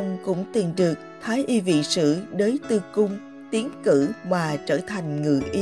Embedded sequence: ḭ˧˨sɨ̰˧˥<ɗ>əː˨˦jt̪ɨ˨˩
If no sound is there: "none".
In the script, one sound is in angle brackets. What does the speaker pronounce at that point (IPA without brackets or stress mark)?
ɗ